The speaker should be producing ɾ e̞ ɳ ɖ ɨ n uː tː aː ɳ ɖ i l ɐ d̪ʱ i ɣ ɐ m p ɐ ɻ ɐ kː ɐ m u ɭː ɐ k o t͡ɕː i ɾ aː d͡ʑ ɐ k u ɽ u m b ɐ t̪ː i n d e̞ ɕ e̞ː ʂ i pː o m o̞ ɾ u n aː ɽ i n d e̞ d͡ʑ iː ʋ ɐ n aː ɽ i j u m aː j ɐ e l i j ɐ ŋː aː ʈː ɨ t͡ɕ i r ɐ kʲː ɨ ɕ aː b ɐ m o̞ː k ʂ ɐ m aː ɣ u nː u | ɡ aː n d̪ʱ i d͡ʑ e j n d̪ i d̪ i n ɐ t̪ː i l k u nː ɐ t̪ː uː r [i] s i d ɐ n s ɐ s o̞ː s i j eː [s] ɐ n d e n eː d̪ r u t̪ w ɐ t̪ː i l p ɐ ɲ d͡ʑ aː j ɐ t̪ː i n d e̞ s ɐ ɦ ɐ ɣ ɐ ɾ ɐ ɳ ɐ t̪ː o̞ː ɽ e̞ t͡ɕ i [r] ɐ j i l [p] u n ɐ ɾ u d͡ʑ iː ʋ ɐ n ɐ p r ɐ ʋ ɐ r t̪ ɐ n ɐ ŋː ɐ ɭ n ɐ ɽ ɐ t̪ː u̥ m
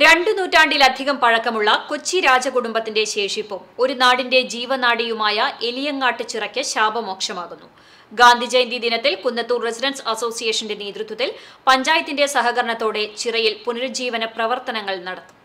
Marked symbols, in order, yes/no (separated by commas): no, no, yes, yes